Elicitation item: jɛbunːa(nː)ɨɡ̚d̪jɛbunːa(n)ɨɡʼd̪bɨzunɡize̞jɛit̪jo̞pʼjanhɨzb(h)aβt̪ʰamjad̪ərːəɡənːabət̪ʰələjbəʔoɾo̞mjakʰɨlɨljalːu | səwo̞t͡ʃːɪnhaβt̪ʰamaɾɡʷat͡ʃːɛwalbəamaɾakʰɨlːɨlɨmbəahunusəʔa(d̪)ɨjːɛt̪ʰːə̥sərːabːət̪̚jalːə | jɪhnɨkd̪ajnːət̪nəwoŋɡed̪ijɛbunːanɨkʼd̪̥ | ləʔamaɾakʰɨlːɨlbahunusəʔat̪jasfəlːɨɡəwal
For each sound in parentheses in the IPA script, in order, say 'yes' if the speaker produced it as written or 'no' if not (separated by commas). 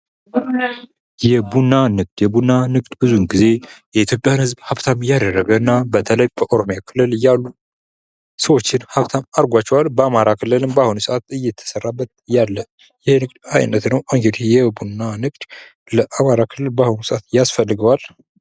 no, yes, yes, no